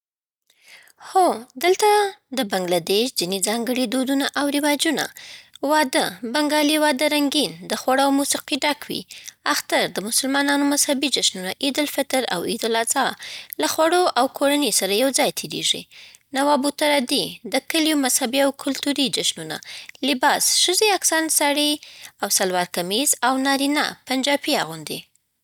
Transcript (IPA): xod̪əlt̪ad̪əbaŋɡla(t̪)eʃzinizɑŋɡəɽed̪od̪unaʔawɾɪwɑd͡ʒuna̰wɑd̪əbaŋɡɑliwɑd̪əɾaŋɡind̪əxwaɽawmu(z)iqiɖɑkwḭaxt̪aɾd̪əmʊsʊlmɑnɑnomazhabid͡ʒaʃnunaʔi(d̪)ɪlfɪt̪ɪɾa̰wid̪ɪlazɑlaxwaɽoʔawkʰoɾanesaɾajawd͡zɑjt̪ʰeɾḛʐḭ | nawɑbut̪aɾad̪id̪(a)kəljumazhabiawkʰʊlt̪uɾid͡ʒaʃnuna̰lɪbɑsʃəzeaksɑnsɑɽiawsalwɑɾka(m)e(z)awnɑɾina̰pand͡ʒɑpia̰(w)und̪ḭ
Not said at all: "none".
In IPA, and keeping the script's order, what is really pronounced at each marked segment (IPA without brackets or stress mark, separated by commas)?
d̪, s, d̪, ə, m, z, ɣ